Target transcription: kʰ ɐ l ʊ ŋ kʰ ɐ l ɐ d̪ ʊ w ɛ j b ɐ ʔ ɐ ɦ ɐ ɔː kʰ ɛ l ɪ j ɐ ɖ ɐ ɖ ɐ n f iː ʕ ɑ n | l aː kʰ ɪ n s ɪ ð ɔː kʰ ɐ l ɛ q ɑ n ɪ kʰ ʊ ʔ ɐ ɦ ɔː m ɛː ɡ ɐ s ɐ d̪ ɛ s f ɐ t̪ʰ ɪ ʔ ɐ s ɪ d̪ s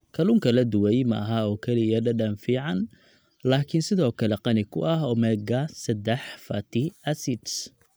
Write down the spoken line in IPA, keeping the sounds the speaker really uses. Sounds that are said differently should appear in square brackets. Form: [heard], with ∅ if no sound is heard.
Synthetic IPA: kʰ ɐ l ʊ ŋ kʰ ɐ l ɐ d̪ ʊ w ɛ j [m] ɐ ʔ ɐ ɦ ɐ ɔː kʰ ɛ l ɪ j ɐ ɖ ɐ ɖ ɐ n f iː ʕ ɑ n | l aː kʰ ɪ n s ɪ ð ɔː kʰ ɐ l ɛ q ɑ n ɪ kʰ ʊ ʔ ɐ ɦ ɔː m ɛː ɡ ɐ s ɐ d̪ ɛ [ħ] f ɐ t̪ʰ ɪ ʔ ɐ s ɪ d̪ s